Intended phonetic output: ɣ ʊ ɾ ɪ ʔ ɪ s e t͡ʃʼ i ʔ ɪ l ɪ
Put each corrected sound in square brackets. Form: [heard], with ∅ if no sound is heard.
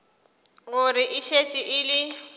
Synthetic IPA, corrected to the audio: ɣ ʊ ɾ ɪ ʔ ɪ [ʃ] e t͡ʃʼ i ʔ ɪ l ɪ